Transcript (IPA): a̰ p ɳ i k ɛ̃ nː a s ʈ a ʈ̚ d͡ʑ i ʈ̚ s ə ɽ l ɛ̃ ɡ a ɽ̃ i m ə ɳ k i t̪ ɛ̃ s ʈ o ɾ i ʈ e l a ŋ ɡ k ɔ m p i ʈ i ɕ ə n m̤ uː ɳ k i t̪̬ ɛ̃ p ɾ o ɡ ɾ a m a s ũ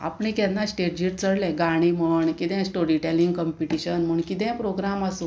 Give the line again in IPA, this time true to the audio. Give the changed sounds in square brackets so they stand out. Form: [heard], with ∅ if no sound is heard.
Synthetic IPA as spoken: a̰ p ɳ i k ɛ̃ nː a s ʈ [e] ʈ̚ d͡ʑ i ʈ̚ [t͡s] ə ɽ l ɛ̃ ɡ a ɽ̃ i m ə ɳ k i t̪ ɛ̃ s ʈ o ɾ i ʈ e l [i] ŋ ɡ k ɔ m p i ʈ i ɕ ə n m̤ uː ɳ k i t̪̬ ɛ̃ p ɾ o ɡ ɾ a m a s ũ